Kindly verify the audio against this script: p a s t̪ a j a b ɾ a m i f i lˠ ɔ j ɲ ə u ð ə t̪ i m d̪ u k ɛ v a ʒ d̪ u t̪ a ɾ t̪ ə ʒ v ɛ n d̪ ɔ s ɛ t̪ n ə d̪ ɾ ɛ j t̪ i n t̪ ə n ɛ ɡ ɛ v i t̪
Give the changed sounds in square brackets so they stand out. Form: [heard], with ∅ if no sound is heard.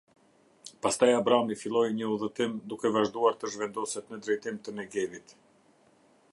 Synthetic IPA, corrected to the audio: p a s t̪ a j a b ɾ a m i f i lˠ ɔ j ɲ ə u ð ə t̪ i m d̪ u k ɛ v a ʒ d̪ u [∅] a ɾ t̪ ə ʒ v ɛ n d̪ ɔ s ɛ t̪ n ə d̪ ɾ ɛ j t̪ i [m] t̪ ə n ɛ ɡ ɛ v i t̪